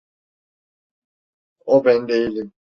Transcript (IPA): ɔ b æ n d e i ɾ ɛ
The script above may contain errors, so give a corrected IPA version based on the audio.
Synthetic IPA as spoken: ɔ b ɛ n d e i l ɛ